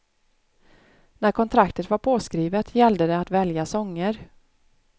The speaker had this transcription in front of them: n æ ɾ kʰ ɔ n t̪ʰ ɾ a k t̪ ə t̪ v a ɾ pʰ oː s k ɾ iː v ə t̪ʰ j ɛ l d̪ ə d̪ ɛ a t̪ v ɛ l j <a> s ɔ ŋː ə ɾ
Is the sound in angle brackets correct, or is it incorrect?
correct